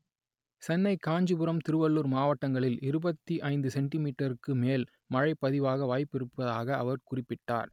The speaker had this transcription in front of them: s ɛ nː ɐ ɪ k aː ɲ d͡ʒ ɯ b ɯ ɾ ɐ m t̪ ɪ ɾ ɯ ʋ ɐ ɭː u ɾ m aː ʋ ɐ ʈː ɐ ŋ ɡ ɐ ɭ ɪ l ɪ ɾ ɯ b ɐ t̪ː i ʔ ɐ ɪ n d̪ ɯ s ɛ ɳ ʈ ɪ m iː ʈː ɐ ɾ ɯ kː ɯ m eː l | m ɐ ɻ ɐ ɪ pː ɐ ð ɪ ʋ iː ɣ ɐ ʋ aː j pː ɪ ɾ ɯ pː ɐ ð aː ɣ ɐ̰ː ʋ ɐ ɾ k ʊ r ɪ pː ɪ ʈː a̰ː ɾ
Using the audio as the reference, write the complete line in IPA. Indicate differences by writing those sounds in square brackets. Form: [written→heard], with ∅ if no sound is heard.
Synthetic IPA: s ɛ nː ɐ ɪ k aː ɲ d͡ʒ ɯ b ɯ ɾ ɐ m t̪ ɪ ɾ ɯ ʋ ɐ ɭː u ɾ m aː ʋ ɐ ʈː ɐ ŋ ɡ ɐ ɭ ɪ l ɪ ɾ ɯ b ɐ t̪ː i ʔ ɐ ɪ n d̪ ɯ s ɛ ɳ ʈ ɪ m iː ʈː ɐ ɾ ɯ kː ɯ m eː l | m ɐ ɻ ɐ ɪ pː ɐ ð ɪ ʋ [iː→aː] ɣ ɐ ʋ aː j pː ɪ ɾ ɯ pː ɐ ð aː ɣ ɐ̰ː ʋ ɐ ɾ k ʊ r ɪ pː ɪ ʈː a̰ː ɾ